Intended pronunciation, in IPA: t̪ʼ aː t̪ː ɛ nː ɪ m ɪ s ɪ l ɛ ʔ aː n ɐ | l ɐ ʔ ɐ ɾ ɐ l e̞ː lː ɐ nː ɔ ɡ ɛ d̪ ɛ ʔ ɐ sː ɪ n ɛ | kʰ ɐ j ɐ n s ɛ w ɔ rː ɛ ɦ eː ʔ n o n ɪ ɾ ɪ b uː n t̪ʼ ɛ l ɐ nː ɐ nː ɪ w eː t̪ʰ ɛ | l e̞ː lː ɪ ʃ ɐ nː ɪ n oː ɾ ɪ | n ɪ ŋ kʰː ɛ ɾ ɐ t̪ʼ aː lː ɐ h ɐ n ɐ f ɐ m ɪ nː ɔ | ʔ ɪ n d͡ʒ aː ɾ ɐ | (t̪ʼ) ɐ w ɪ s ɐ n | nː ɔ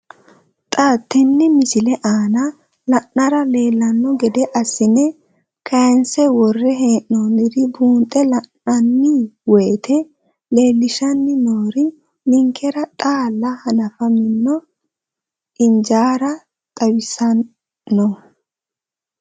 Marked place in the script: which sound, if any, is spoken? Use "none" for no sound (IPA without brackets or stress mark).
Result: t̪ʼ